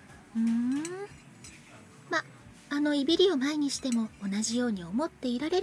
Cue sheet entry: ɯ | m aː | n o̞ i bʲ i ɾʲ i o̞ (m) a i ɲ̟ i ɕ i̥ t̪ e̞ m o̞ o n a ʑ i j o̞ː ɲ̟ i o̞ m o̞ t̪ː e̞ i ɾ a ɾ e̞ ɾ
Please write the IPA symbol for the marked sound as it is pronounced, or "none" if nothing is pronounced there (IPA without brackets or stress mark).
m